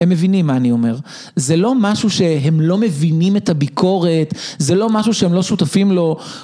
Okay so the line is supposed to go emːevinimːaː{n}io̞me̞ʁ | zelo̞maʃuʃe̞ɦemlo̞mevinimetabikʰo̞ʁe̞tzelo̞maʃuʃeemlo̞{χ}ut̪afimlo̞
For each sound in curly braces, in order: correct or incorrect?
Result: correct, incorrect: ʃ

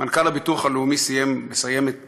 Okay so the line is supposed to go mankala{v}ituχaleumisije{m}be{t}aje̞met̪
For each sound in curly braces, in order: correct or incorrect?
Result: incorrect: b, correct, incorrect: s

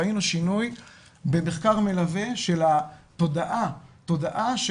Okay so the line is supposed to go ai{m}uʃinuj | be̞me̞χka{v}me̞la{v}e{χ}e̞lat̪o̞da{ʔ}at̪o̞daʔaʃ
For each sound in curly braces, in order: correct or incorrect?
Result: incorrect: n, incorrect: ʁ, correct, incorrect: ʃ, correct

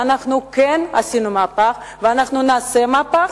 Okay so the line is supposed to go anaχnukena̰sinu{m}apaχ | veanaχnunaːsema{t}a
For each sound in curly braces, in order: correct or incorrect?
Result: correct, incorrect: p

